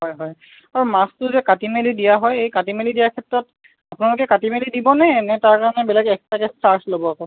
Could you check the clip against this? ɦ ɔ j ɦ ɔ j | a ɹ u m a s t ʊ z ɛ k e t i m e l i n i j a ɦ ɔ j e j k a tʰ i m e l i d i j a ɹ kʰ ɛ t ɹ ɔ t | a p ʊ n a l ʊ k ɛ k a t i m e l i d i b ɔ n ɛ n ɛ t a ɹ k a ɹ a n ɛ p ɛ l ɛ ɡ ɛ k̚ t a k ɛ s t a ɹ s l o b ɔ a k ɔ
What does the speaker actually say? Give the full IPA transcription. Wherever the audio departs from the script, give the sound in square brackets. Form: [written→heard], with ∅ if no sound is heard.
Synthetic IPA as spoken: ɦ ɔ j ɦ ɔ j | a ɹ u m a s t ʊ z ɛ k [e→a] t i m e l i [n→d] i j a ɦ ɔ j e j k a [tʰ→t] i m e l i d i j a ɹ kʰ ɛ t ɹ ɔ t | a p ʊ n a l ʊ k ɛ k a t i m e l i d i b ɔ n ɛ n ɛ t a ɹ k a ɹ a n ɛ [p→b] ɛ l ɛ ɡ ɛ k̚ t a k ɛ s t a ɹ s l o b ɔ a k ɔ